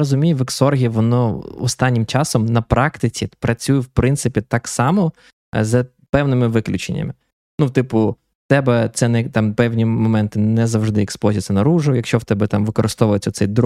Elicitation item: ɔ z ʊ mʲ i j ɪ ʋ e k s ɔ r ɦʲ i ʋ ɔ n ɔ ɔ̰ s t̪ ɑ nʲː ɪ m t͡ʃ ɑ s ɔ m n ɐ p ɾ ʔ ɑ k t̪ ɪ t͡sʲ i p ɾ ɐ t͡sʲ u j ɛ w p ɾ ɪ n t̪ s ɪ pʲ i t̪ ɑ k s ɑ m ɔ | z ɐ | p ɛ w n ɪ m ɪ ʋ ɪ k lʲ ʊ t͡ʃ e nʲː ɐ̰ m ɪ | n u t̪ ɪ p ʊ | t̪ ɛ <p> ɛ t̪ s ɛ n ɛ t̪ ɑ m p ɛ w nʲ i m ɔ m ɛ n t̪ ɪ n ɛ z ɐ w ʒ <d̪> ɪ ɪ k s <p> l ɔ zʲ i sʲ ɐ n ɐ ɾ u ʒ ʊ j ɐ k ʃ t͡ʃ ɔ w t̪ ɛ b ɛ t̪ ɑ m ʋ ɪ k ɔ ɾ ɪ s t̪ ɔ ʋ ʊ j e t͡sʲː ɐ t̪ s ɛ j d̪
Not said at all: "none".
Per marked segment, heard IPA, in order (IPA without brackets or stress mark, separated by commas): b, d̪, p